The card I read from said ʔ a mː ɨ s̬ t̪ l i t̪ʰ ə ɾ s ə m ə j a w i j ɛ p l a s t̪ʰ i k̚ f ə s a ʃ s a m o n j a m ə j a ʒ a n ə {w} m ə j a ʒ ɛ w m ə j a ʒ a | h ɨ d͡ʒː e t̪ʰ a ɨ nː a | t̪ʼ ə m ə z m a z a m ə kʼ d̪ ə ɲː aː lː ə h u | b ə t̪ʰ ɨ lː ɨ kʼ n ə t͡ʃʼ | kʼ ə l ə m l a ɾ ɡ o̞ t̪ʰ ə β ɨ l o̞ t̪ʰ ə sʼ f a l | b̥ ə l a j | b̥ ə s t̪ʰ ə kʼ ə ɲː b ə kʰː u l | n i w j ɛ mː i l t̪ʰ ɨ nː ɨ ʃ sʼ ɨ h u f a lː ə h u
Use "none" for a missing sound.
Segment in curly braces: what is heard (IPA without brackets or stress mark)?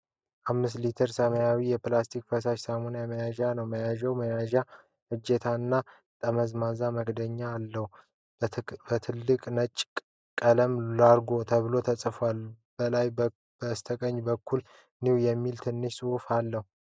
w